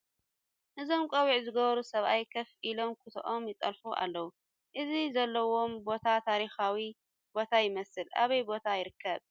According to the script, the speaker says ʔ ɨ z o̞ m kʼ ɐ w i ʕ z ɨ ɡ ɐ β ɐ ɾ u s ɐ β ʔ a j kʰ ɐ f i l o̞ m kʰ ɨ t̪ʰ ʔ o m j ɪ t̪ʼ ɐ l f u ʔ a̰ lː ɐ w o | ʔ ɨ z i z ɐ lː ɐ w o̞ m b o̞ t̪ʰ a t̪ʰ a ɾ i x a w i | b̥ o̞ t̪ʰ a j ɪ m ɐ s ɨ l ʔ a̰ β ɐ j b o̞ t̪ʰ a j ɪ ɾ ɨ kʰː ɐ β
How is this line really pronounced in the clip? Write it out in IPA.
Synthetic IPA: ʔ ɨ z o̞ m kʼ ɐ w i ʕ z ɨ ɡ ɐ β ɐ ɾ u s ɐ β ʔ a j kʰ ɐ f i l o̞ m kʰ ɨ t̪ʰ ʔ o m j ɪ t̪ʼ ɐ l f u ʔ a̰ lː ɐ w u | ʔ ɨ z i z ɐ lː ɐ w o̞ m b o̞ t̪ʰ a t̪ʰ a ɾ i x a w i | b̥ o̞ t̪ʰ a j ɪ m ɐ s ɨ l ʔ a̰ β ɐ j b o̞ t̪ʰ a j ɪ ɾ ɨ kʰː ɐ β